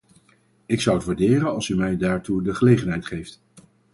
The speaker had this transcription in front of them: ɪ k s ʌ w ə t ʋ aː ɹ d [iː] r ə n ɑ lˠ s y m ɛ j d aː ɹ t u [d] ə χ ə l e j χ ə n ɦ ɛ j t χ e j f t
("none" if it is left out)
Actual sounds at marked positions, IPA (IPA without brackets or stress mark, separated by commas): ɪː, d